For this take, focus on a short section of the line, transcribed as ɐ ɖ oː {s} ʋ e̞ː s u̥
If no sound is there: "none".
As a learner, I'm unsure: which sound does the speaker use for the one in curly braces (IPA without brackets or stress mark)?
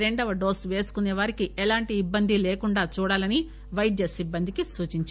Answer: s